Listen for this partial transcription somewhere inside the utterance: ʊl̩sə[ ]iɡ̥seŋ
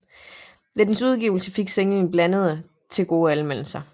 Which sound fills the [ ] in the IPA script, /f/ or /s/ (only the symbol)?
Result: f